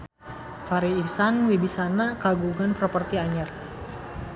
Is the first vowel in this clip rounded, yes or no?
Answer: no